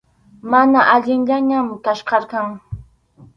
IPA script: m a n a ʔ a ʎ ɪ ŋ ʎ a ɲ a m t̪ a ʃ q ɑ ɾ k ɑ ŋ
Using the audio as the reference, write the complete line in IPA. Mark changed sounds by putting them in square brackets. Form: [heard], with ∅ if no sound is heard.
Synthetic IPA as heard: m a n a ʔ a ʎ ɪ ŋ ʎ a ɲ a m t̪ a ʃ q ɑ ɾ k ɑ ŋ